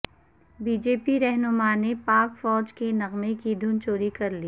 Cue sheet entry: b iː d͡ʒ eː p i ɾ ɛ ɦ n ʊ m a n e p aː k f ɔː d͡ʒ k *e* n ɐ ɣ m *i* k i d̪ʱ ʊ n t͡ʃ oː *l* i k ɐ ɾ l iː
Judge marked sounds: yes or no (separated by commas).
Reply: yes, no, no